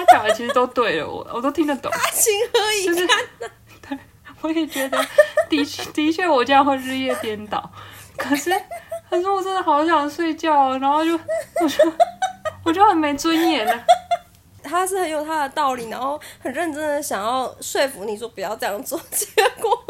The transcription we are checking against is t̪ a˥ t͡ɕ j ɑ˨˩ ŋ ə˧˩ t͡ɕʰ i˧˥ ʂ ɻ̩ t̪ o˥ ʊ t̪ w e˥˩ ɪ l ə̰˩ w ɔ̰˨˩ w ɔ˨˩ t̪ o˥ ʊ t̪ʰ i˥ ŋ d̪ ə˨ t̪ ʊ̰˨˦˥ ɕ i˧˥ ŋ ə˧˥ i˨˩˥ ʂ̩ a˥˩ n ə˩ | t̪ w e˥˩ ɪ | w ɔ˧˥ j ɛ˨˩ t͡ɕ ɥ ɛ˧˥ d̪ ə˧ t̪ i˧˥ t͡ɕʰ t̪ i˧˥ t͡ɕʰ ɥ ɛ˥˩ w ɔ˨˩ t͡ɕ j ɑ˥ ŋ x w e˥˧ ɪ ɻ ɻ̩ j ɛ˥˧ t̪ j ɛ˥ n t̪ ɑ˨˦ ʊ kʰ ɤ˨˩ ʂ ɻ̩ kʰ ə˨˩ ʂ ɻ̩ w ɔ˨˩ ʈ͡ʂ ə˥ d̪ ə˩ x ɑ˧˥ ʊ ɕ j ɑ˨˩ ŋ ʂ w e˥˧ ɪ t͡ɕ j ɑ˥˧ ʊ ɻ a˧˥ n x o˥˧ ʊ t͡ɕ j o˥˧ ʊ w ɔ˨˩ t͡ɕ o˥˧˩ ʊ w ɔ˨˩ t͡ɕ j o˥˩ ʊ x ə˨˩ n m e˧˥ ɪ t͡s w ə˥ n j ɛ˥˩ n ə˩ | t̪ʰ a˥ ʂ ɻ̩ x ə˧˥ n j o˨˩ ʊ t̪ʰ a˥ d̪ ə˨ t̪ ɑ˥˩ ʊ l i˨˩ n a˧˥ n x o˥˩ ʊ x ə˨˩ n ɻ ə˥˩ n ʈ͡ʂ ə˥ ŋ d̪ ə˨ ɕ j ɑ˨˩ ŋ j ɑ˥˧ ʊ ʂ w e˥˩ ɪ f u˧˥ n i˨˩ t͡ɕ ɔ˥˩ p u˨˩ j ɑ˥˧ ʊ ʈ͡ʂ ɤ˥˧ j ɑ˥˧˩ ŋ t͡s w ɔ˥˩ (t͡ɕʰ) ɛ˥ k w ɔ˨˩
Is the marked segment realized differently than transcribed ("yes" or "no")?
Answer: yes